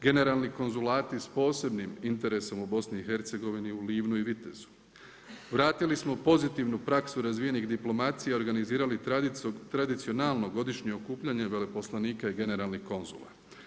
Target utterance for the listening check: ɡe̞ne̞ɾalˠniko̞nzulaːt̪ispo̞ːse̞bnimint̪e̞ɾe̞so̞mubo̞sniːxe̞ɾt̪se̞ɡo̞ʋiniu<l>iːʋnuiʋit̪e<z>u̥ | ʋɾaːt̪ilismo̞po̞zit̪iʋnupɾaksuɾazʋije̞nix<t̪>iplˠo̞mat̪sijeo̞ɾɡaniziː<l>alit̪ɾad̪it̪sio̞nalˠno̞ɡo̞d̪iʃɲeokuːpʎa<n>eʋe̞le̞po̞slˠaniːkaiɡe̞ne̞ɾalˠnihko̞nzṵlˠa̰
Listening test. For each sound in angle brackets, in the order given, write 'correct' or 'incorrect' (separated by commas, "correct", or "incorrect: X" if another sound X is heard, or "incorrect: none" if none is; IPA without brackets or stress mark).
correct, correct, incorrect: d̪, incorrect: ɾ, incorrect: ɲ